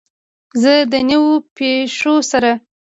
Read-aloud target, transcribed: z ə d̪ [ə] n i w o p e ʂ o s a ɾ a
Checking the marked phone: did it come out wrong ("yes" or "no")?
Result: no